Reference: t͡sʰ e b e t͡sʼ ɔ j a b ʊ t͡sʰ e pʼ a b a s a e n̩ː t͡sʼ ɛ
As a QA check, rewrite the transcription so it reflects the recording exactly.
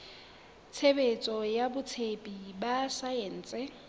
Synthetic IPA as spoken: t͡sʰ e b e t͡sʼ ɔ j a b ʊ t͡sʰ e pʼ i b a s a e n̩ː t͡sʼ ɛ